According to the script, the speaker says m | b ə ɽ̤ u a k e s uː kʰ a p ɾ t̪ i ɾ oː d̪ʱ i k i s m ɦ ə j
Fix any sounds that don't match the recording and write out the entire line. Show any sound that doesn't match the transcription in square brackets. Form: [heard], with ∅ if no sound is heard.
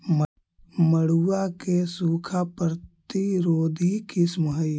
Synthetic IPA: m | [m] ə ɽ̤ u a k e s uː kʰ a p ɾ t̪ i ɾ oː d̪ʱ i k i s m ɦ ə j